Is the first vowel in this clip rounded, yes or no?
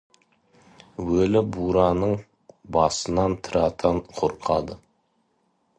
yes